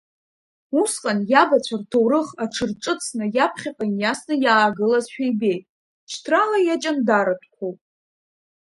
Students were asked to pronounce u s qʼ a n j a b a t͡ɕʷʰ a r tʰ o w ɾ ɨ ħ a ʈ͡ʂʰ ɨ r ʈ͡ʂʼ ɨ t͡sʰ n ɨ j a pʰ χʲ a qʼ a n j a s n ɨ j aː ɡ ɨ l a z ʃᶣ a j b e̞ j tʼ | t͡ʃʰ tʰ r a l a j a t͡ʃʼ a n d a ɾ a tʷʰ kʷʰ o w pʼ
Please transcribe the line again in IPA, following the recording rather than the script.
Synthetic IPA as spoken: u s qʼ a n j a b a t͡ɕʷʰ a r tʰ o w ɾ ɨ χ a ʈ͡ʂʰ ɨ r ʈ͡ʂʼ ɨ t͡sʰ n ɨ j a pʰ χʲ a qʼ a n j a s n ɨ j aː ɡ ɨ l a z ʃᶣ a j b e̞ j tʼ | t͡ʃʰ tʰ r a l a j a t͡ʃʼ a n d a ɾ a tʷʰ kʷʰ o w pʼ

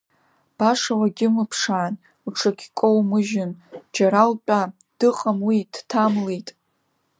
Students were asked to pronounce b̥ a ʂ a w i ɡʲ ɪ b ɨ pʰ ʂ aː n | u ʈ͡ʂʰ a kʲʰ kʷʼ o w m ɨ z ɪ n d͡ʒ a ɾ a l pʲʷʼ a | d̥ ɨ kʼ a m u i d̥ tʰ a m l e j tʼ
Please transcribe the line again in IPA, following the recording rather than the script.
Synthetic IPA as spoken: b̥ a ʂ a w a ɡʲ ɪ m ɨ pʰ ʂ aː n | u ʈ͡ʂʰ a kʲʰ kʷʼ o w m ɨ ʒ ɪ n d͡ʒ a ɾ a l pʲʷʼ a | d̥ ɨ qʼ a m w i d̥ tʰ a m l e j tʼ

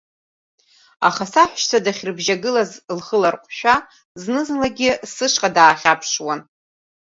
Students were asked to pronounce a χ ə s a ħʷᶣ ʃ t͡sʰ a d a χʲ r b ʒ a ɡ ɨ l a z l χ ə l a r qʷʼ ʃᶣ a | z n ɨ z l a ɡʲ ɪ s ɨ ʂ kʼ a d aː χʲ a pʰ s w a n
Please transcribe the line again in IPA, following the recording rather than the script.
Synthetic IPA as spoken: a χ a s a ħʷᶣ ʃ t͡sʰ a d a χʲ r b ʒ a ɡ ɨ l a z l χ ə l a r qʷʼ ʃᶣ a | z n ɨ z l a ɡʲ ɪ s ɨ ʂ qʼ a d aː χʲ a pʰ ʂ w a n

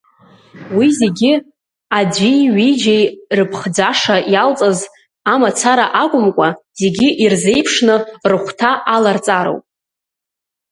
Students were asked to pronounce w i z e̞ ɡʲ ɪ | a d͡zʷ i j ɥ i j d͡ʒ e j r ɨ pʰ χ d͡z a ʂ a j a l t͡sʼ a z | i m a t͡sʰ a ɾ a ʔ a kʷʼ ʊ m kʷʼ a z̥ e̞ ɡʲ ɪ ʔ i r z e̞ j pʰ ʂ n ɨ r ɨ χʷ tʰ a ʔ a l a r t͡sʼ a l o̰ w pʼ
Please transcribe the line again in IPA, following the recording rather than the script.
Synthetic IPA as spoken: w i z e̞ ɡʲ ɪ | a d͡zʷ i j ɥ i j d͡ʒ e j r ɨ pʰ χ d͡z a ʂ a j a l t͡sʼ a z | a m a t͡sʰ a ɾ a ʔ a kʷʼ ʊ m kʷʼ a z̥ e̞ ɡʲ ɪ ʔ i r z e̞ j pʰ ʂ n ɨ r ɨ χʷ tʰ a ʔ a l a r t͡sʼ a ɾ o̰ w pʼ

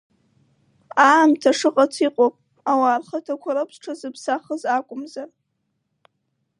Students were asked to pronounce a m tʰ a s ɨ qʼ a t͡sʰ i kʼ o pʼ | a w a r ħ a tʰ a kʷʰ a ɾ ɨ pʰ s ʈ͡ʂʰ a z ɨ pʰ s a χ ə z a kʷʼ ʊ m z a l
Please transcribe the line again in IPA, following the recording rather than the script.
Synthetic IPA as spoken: a m tʰ a ʂ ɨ qʼ a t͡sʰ i qʼ o pʼ | a w a r χ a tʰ a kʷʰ a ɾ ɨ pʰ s ʈ͡ʂʰ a z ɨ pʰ s a χ ə z a kʷʼ ʊ m z a r

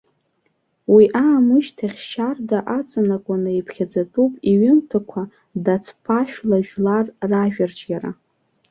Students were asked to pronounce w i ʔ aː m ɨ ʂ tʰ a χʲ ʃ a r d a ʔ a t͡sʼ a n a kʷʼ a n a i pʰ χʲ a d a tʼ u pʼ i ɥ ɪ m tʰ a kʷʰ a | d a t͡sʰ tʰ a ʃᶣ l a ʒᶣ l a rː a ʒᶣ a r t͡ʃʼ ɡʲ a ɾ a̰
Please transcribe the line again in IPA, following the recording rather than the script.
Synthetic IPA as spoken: w i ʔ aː m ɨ ʃ tʰ a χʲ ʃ a r d a ʔ a t͡sʼ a n a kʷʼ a n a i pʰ χʲ a d͡z a tʼ u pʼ i ɥ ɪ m tʰ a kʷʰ a | d a t͡sʰ pʰ a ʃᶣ l a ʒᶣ l a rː a ʒᶣ a r t͡ʃʼ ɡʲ a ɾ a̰

